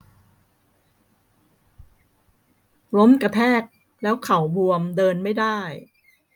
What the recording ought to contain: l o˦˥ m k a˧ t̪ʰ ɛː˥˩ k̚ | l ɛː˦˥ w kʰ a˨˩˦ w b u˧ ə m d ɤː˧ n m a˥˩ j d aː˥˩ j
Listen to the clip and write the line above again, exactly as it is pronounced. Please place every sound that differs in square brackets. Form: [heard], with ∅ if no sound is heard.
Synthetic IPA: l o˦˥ m k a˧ t̪ʰ ɛː˥˩ k̚ | l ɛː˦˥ w kʰ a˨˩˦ w b u˧ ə m d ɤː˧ n m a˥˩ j d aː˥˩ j